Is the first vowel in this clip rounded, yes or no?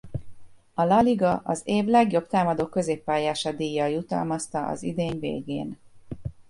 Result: yes